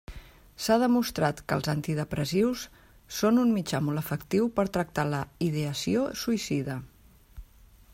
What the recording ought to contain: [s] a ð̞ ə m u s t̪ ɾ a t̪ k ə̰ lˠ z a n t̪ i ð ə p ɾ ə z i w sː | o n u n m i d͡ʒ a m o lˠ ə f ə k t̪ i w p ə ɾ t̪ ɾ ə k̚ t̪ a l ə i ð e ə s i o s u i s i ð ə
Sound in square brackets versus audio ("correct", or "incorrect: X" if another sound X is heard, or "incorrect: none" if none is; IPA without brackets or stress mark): correct